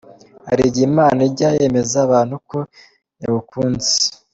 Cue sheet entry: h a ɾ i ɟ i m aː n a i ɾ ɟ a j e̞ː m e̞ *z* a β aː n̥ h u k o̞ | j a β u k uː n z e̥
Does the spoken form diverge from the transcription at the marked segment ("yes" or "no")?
no